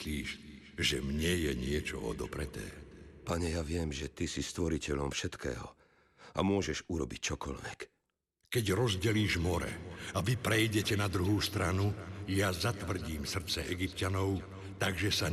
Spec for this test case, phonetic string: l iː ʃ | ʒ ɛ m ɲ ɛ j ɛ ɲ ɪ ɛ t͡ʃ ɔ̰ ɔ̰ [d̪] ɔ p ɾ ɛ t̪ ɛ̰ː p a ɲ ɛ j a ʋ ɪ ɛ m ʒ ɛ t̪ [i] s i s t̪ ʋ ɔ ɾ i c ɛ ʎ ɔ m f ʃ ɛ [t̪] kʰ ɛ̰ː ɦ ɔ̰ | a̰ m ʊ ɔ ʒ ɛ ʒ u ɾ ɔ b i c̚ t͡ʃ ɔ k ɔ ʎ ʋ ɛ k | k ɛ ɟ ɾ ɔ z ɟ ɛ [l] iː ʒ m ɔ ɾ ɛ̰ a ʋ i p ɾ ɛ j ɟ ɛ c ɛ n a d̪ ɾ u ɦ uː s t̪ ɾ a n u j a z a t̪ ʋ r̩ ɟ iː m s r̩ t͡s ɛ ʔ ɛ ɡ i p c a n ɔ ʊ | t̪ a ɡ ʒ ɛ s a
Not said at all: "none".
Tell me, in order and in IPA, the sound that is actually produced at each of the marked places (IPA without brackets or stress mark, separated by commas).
d̪, i, t̪, l